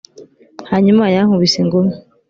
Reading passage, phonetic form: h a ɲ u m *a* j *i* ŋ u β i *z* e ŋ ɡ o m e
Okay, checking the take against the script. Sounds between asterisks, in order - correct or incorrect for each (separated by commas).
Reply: correct, incorrect, incorrect